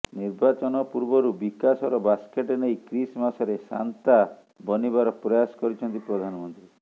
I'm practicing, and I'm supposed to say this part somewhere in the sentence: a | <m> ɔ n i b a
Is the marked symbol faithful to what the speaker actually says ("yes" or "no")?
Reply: no